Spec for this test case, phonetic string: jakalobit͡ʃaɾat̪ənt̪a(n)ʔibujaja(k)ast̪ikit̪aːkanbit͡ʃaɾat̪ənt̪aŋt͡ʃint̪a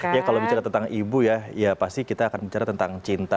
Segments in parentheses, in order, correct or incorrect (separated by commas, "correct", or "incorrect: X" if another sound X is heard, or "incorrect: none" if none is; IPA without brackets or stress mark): incorrect: ŋ, incorrect: p